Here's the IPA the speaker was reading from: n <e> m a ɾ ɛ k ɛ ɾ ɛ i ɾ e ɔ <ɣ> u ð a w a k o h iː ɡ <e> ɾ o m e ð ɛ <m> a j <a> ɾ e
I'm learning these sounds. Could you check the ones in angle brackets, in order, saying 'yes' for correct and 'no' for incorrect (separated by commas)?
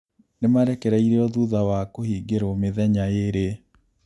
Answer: yes, no, yes, no, no